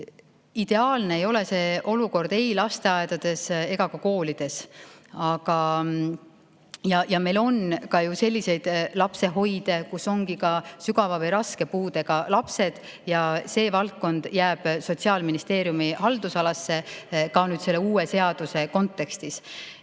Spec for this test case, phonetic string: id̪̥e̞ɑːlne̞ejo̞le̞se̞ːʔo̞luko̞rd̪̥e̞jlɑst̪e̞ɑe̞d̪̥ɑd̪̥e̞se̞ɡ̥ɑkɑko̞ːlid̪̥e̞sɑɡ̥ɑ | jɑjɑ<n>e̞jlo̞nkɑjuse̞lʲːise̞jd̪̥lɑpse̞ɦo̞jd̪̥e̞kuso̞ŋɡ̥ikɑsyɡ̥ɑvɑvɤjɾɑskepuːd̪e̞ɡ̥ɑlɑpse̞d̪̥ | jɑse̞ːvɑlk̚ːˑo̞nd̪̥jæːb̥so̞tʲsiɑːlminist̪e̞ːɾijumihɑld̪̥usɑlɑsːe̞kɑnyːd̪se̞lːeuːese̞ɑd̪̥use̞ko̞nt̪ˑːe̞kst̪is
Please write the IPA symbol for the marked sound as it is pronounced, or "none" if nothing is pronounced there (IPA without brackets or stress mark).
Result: m